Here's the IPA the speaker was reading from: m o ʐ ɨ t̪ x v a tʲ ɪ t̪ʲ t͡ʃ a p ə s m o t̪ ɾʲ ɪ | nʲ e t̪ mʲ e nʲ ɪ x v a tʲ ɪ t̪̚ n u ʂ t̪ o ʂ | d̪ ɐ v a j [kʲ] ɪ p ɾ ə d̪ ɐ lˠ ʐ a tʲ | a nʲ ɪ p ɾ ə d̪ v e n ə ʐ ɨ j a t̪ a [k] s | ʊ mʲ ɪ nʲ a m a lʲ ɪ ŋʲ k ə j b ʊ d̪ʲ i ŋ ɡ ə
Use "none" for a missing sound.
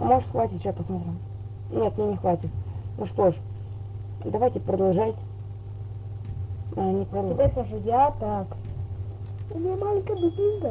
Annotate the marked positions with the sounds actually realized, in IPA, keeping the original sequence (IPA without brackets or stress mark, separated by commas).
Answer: tʲ, k